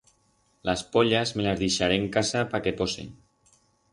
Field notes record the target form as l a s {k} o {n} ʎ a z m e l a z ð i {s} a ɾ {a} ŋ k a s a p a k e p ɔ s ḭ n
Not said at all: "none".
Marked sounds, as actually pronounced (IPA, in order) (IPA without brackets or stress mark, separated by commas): p, none, ʃ, e